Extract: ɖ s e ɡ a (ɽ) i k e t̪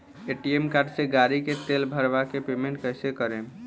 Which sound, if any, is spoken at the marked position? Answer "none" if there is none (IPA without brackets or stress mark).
ɾ